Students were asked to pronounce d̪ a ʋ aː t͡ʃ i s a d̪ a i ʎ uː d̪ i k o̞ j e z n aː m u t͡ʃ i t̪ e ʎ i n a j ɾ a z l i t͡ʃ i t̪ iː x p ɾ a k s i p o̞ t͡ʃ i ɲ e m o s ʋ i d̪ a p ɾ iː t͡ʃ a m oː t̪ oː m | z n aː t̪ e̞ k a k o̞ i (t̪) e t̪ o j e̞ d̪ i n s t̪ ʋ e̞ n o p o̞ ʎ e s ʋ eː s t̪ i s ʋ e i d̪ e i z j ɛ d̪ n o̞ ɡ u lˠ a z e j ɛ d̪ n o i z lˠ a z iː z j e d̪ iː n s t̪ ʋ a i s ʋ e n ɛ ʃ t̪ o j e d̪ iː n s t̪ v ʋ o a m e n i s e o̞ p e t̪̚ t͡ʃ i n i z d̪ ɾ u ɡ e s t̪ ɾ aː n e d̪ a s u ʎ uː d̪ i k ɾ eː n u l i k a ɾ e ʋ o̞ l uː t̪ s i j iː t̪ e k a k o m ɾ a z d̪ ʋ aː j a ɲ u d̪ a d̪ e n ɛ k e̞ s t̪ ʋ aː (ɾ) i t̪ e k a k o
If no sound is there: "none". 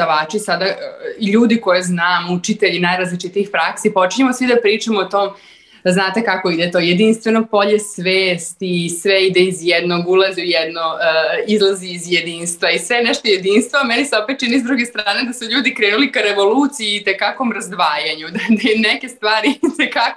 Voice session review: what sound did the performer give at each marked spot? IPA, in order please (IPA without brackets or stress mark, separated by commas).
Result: d̪, ɾ